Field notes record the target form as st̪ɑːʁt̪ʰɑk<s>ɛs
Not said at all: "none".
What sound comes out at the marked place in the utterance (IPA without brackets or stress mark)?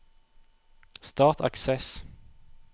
s